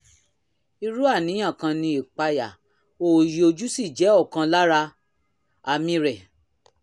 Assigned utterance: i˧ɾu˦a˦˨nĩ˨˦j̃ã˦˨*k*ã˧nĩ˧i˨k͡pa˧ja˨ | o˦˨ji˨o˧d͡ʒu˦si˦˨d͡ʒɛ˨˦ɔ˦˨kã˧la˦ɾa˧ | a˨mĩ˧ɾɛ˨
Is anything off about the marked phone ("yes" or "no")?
no